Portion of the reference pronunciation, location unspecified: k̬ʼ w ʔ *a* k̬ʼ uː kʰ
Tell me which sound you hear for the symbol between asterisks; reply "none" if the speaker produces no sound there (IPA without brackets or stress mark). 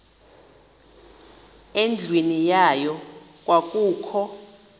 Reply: a